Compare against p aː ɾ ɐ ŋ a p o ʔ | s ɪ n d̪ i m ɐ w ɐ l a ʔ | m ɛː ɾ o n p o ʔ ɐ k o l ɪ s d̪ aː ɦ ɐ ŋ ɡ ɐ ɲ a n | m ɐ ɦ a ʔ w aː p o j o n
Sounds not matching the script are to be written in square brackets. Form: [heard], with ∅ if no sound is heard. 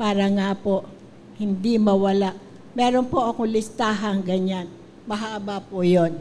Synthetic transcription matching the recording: p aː ɾ ɐ ŋ a p o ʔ | [h] ɪ n d̪ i m ɐ w ɐ l a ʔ | m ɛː ɾ o n p o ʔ ɐ k o l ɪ s [t̪] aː ɦ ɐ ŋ ɡ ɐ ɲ a n | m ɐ ɦ a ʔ [b] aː p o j o n